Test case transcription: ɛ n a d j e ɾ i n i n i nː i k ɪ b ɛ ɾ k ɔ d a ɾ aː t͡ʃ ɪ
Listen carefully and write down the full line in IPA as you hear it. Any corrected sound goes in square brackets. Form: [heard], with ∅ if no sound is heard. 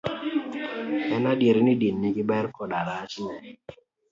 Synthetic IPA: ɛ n a d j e ɾ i n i [d] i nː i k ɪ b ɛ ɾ k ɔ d a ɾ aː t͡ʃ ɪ